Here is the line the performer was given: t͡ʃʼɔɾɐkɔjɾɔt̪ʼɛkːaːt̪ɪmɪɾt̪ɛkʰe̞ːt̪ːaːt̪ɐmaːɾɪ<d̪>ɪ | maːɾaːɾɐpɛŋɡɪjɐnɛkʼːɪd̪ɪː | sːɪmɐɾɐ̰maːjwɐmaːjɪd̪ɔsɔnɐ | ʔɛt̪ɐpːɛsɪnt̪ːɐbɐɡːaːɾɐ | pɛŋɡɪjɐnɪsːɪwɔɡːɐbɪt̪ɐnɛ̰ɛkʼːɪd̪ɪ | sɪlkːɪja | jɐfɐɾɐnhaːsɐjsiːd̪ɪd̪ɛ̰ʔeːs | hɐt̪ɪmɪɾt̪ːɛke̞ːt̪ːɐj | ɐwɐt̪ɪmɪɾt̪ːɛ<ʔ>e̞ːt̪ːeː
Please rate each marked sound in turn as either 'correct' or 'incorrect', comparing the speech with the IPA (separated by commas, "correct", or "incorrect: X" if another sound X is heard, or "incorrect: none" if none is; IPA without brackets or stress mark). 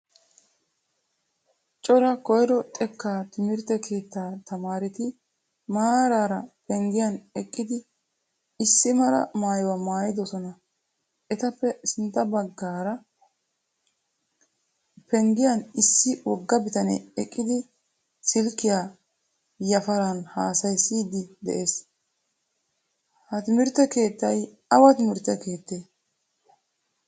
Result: incorrect: t̪, incorrect: k